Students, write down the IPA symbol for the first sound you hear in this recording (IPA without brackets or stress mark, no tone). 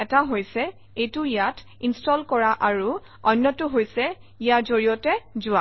ɛ